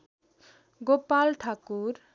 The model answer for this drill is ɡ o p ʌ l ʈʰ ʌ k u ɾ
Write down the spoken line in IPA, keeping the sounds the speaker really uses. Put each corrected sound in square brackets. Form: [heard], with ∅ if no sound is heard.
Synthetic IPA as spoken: ɡ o p [a] l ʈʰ [a] k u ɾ

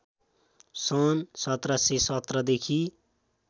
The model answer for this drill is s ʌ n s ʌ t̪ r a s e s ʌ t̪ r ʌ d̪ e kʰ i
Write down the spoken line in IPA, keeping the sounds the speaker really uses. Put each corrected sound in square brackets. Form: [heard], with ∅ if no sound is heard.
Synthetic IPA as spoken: s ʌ n s ʌ t̪ r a s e s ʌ t̪ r ʌ d̪ e kʰ i

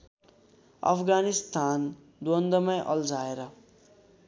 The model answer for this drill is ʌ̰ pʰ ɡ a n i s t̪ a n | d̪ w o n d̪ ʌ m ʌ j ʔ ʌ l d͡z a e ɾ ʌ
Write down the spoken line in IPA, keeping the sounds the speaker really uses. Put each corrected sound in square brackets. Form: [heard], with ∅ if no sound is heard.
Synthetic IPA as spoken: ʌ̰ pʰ ɡ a n i s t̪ a n | d̪ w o n d̪ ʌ m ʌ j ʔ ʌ l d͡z a e ɾ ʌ

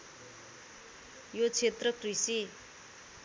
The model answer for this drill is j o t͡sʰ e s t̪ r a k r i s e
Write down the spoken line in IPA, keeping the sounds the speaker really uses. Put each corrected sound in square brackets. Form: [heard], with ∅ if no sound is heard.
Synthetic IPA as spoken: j o t͡sʰ e [∅] t̪ r [ʌ] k r i s [i]

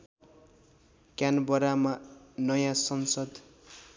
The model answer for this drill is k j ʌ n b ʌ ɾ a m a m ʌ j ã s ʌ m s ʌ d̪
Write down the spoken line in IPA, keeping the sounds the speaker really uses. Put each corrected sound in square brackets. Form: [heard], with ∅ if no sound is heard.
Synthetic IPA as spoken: k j [a] n b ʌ ɾ a m a [n] ʌ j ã s ʌ [n] s ʌ d̪

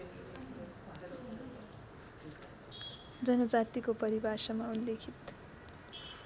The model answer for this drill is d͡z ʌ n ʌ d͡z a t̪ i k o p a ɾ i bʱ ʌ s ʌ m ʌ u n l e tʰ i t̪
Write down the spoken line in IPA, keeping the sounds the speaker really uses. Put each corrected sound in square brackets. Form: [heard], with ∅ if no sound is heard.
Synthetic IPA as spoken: d͡z ʌ n ʌ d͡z a t̪ i k o p [ʌ] ɾ i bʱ [a] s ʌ m [a] u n l e [kʰ] i t̪

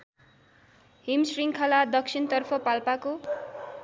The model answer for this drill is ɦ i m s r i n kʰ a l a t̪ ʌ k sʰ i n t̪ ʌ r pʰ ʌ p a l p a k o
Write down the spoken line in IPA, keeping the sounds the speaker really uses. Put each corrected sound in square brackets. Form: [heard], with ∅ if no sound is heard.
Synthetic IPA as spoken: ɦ i m s r i [ŋ] kʰ a l a [d̪] ʌ k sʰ i n t̪ ʌ r pʰ ʌ p a l p a k o

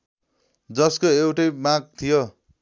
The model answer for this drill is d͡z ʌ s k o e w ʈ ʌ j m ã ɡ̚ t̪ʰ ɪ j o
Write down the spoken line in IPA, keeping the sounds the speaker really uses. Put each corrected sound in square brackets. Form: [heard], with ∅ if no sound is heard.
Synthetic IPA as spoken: d͡z ʌ s k o e w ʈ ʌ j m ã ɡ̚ t̪ʰ [i] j o

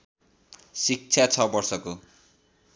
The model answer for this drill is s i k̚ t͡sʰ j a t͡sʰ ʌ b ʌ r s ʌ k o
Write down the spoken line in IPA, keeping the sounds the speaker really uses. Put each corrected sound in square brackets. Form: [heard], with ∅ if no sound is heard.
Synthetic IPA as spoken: s i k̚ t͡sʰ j a t͡sʰ ʌ b ʌ r s ʌ k o

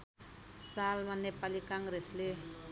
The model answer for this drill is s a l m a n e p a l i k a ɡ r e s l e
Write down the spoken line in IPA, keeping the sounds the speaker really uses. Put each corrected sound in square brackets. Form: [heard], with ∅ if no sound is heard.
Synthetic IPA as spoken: s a l m a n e p a l i k a [ŋ] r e s l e

